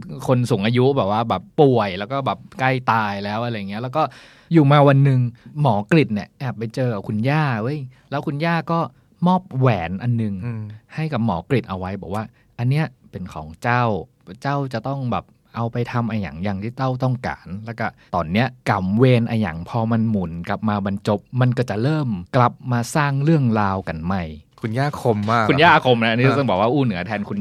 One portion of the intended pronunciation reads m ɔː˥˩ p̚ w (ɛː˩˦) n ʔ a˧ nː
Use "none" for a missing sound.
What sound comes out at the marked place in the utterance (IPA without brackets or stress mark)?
ɛː˩˦